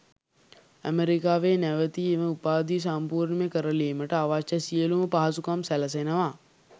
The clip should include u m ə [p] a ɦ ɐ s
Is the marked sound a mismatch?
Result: no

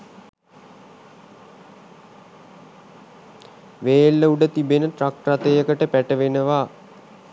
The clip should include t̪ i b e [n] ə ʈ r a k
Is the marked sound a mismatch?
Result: no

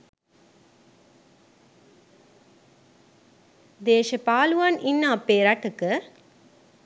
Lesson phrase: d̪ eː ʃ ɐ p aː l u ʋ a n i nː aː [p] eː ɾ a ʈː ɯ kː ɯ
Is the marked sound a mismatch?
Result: no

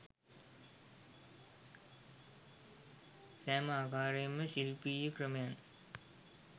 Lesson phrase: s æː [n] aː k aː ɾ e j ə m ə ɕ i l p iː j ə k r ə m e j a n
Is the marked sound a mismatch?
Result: yes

